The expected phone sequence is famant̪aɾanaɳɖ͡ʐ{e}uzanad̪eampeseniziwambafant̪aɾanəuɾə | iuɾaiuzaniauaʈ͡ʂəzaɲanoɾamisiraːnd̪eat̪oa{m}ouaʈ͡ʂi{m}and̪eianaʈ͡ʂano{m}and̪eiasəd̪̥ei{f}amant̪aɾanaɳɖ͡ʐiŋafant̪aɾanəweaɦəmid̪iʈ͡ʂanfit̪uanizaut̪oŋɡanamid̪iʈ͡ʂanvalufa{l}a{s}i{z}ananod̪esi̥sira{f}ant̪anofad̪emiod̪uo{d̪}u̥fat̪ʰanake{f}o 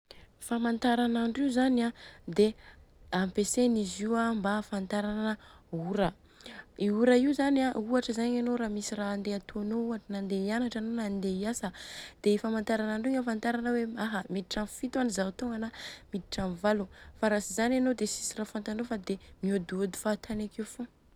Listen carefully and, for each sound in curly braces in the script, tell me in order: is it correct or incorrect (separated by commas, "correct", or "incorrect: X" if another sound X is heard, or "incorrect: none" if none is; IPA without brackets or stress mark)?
incorrect: i, incorrect: n, incorrect: n, incorrect: n, correct, incorrect: ɾ, correct, correct, correct, correct, correct